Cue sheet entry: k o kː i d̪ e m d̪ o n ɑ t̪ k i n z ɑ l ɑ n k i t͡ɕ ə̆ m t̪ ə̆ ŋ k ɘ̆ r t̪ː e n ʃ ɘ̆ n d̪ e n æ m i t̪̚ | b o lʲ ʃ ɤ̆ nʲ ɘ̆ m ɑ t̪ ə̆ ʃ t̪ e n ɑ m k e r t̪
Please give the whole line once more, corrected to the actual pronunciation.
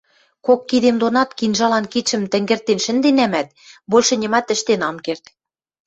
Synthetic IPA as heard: k o kː i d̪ e m d̪ o n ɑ t̪ k i n ʒ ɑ l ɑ n k i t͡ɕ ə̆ m t̪ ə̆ ŋ ɡ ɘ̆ r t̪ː e n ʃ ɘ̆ n d̪ e n æ m æ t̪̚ | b o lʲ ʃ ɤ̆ nʲ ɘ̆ m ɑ t̪ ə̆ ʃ t̪ e n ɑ m k e r t̪